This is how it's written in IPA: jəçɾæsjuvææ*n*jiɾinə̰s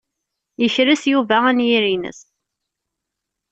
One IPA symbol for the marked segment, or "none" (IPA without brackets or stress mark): n